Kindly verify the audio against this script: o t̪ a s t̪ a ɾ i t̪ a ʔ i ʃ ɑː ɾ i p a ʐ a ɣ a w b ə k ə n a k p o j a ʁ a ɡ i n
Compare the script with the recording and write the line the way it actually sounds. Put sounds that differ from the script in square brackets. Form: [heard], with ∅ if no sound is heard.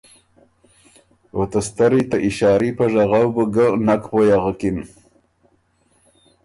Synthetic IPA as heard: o t̪ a s t̪ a ɾ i t̪ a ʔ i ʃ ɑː ɾ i p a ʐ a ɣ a w b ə [ɡ] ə n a k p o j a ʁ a [k] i n

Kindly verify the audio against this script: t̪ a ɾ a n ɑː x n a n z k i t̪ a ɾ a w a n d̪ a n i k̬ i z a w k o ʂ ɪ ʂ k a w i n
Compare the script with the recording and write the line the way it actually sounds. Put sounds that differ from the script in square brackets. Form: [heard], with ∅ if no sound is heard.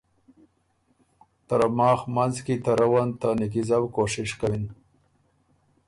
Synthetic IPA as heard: t̪ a ɾ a [m] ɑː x [m] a n z k i t̪ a ɾ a w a n [t̪] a n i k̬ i z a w k o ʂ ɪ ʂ k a w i n

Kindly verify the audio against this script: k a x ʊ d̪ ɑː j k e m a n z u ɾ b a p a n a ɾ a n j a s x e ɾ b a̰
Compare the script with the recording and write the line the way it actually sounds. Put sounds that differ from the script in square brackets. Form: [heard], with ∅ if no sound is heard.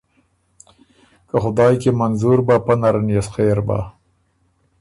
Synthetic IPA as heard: k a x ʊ d̪ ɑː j k e m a n z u ɾ b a p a n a ɾ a n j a s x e ɾ b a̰

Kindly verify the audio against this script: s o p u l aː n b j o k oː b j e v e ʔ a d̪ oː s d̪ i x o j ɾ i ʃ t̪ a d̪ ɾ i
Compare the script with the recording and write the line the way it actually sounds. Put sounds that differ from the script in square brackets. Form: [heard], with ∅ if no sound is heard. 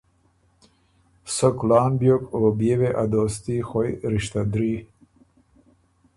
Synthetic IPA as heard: s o [k] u l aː n b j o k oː b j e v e ʔ a d̪ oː s [t̪] i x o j ɾ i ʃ t̪ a d̪ ɾ i

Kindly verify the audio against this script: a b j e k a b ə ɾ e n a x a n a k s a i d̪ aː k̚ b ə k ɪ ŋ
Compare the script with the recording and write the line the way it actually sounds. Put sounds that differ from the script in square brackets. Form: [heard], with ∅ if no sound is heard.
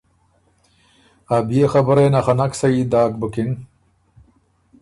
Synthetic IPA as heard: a b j e [x] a b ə ɾ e n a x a n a k s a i d̪ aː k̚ b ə k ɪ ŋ

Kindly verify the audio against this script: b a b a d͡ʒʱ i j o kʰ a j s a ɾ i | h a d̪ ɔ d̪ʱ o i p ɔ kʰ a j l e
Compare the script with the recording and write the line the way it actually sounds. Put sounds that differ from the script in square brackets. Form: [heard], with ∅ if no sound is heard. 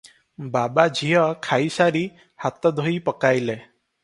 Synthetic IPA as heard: b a b a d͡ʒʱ i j [ɔ] kʰ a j s a ɾ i | h a [t̪] ɔ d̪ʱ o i p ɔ [k] a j l e

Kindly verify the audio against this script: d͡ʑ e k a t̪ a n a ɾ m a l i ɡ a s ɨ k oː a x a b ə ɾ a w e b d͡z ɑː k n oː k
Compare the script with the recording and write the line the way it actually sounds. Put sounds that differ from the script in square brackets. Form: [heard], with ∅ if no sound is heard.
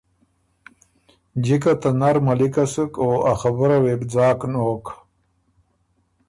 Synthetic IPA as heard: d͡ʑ [i] k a t̪ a n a ɾ m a l i [k] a s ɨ k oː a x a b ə ɾ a w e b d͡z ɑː k n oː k

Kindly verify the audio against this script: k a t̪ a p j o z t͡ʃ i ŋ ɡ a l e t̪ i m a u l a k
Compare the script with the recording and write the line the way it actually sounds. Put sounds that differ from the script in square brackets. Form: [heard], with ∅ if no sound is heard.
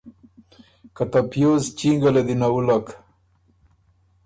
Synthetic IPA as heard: k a t̪ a p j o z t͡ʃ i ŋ ɡ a l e [d̪] i [n] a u l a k

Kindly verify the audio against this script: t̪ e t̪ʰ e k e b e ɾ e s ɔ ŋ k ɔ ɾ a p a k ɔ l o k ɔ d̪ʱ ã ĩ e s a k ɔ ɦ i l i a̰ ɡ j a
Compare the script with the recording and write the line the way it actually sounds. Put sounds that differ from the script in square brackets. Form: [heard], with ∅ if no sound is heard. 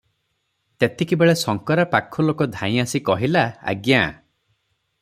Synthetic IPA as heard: t̪ e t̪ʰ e k [i] b e [ɭ] e s ɔ ŋ k ɔ ɾ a p a [kʰ] ɔ l o k ɔ d̪ʱ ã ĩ [a] s [i] k ɔ ɦ i l [a] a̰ ɡ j a

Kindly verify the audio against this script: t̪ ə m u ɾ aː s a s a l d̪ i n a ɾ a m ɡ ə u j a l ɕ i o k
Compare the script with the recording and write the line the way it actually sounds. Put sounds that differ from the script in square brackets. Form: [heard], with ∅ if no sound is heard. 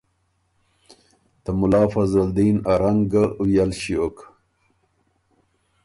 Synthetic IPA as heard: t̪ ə m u [l] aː [f] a [z] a l d̪ i n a ɾ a [ŋ] ɡ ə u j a l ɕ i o k

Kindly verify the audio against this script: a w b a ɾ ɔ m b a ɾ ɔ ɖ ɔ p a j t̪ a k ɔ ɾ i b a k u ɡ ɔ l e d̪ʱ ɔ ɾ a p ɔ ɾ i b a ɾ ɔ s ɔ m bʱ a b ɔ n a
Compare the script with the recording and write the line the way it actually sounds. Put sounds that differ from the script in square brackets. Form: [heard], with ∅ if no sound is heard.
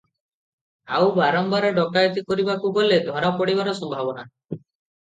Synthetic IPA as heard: a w b a ɾ ɔ m b a ɾ ɔ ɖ ɔ [k] a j t̪ [i] k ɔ ɾ i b a k u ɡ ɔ l e d̪ʱ ɔ ɾ a p ɔ [ɽ] i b a ɾ ɔ s ɔ m bʱ a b ɔ n a

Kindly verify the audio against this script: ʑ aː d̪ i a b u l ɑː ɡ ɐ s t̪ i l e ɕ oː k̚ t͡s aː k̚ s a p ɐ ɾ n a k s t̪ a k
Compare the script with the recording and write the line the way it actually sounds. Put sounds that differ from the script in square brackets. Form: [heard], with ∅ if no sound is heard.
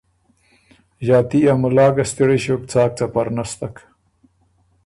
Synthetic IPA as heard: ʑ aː [t̪] i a [m] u l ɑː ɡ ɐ s t̪ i [ɽ] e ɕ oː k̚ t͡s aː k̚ [t͡s] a p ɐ ɾ n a [∅] s t̪ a k

